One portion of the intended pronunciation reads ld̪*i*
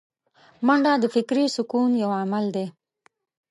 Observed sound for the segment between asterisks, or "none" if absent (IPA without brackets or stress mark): e